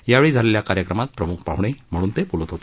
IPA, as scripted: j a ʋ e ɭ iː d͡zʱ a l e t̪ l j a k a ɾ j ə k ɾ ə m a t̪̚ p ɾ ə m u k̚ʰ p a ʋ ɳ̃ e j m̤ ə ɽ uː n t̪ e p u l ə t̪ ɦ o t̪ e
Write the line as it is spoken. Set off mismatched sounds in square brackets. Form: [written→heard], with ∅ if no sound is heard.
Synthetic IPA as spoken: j a ʋ e ɭ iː d͡zʱ a l e [t̪→∅] l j a k a ɾ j ə k ɾ ə m a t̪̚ p ɾ ə m u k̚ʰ p a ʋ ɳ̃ e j m̤ ə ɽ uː n t̪ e p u l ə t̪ ɦ o t̪ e